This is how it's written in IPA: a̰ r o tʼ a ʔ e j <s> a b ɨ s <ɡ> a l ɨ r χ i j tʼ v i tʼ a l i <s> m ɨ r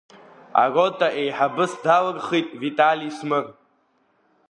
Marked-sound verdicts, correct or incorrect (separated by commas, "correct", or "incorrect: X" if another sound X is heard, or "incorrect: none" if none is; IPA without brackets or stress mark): incorrect: ħ, incorrect: d, correct